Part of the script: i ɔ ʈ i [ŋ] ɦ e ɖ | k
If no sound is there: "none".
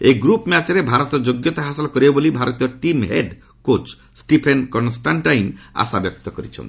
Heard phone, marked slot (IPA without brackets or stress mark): m